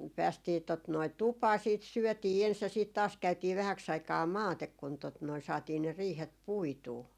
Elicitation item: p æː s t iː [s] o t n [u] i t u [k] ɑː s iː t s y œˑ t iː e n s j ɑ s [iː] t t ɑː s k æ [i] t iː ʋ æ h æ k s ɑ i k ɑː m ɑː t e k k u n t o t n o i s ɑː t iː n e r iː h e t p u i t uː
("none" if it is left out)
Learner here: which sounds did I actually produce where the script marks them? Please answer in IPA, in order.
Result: t, o, p, iː, y

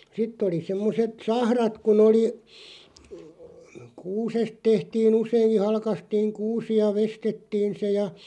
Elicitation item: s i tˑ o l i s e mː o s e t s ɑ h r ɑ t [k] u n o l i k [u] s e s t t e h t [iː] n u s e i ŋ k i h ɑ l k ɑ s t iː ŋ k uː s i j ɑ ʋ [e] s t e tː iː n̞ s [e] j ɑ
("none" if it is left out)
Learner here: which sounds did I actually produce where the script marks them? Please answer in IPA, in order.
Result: k, uː, iː, e, e

